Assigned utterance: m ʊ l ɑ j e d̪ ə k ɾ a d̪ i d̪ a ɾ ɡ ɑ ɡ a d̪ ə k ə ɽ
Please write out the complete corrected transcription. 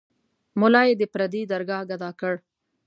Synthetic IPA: m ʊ l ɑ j e d̪ ə p ɾ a d̪ i d̪ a ɾ ɡ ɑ ɡ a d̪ ɑ k ə ɽ